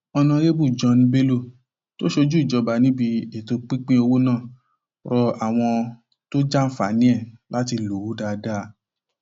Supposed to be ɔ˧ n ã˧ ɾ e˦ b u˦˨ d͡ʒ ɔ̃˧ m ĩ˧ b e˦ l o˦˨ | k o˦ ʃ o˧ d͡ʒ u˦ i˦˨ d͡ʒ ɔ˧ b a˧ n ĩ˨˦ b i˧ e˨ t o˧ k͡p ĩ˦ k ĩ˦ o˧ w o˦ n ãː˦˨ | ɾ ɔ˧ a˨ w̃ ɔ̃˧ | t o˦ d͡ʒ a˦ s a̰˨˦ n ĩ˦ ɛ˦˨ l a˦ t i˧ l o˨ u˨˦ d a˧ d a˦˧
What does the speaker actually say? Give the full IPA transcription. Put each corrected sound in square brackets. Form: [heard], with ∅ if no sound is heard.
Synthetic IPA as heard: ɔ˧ n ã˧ ɾ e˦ b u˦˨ d͡ʒ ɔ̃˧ [n] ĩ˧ b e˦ l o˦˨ | [t] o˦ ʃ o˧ d͡ʒ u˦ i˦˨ d͡ʒ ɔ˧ b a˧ n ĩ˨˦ b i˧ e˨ t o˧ k͡p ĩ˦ [k͡p] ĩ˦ o˧ w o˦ n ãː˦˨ | ɾ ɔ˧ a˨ w̃ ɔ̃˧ | t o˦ d͡ʒ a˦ [f] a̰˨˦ n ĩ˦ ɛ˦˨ l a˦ t i˧ l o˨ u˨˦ d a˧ d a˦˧